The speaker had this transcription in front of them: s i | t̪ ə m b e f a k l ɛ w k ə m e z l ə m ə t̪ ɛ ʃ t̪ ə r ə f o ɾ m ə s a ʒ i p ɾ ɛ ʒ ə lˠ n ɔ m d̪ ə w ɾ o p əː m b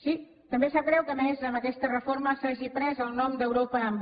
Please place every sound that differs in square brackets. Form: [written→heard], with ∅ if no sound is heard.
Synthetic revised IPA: s i | t̪ ə m b e [f→s] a k [l→ɾ] ɛ w k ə m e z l ə m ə t̪ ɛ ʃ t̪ ə r ə f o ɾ m ə s a ʒ i p ɾ ɛ [ʒ→z] ə lˠ n ɔ m d̪ ə w ɾ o p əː m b